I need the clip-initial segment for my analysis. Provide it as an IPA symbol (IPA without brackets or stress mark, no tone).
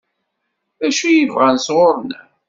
æ